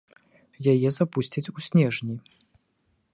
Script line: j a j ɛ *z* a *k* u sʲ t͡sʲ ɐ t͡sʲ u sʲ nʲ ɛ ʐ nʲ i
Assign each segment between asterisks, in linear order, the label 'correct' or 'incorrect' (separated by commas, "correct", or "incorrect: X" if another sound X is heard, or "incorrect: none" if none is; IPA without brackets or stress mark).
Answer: correct, incorrect: p